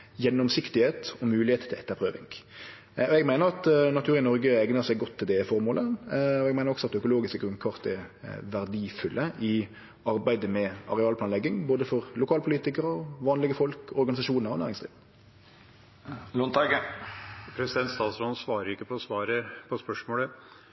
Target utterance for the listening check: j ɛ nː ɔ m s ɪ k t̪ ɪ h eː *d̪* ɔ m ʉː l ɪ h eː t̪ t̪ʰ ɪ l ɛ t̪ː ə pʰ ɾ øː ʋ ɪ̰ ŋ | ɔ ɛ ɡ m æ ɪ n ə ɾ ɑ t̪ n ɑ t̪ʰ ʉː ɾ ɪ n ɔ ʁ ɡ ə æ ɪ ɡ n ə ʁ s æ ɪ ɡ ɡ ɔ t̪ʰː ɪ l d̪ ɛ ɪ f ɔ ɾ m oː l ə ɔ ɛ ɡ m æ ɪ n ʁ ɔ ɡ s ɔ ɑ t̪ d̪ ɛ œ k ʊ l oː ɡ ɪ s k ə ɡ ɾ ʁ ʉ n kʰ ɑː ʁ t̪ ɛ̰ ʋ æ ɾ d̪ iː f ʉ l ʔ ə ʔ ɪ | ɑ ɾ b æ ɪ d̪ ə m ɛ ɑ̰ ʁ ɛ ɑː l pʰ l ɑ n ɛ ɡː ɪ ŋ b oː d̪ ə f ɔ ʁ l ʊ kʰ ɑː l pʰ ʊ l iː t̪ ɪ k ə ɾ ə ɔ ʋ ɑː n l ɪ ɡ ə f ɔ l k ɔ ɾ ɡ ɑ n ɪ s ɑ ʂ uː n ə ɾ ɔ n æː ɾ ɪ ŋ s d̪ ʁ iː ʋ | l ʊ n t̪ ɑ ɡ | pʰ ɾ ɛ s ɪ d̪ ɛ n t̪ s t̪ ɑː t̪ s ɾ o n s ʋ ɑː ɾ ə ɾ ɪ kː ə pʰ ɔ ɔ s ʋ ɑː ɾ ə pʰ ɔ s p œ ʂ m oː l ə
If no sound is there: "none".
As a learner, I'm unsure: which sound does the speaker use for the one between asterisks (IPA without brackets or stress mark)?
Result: t̪